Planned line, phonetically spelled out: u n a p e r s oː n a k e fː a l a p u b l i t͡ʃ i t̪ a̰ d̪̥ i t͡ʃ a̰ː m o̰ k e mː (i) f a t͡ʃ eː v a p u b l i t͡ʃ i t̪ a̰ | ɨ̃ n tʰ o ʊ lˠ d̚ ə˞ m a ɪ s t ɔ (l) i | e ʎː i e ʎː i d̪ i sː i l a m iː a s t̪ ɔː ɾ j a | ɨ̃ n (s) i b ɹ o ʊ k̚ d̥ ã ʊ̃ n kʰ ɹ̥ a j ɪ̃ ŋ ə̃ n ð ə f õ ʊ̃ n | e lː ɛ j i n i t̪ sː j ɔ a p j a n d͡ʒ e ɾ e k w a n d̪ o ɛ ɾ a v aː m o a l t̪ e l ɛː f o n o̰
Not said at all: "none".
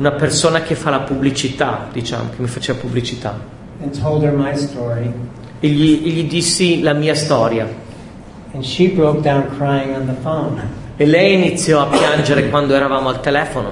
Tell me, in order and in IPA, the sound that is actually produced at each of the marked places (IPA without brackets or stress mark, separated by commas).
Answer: i, ɹ, ʃ